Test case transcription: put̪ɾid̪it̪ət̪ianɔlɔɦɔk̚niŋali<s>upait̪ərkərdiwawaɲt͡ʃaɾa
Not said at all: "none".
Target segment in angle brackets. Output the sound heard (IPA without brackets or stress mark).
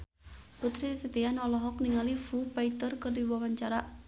f